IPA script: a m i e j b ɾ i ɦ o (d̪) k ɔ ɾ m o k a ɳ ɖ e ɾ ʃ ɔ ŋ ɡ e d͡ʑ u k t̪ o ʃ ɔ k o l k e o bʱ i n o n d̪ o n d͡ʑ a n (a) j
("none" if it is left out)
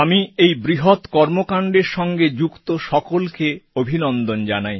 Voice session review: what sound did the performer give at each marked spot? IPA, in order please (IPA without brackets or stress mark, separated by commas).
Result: t̪, a